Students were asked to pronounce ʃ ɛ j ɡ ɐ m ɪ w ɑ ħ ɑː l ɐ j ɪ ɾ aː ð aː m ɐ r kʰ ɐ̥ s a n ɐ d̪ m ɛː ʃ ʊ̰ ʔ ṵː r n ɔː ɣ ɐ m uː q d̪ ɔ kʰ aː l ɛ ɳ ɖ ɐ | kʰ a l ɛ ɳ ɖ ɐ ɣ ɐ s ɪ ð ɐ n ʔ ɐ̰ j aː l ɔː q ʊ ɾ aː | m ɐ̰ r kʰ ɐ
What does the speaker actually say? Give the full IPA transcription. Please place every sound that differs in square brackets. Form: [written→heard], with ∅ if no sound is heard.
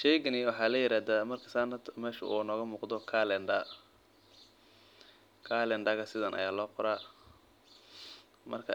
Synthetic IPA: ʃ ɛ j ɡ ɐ [m→n] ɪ w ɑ ħ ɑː l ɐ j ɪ ɾ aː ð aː m ɐ r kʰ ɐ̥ s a n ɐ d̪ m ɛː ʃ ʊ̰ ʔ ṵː [r→∅] n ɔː ɣ ɐ m uː q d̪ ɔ kʰ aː l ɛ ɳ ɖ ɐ | kʰ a l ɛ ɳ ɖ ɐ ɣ ɐ s ɪ ð ɐ n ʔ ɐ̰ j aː l ɔː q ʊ ɾ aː | m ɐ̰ r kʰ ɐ